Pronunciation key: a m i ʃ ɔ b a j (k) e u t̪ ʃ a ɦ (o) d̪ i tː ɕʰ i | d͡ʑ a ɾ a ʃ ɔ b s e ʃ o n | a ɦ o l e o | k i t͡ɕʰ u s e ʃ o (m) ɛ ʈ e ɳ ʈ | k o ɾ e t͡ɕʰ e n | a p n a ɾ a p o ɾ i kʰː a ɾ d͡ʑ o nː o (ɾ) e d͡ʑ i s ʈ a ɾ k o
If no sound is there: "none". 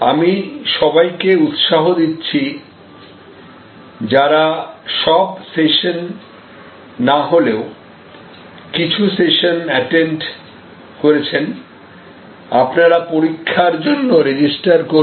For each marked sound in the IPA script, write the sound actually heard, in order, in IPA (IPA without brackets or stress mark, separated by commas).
k, o, n, ɾ